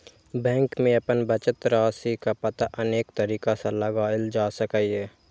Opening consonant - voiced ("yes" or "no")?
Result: yes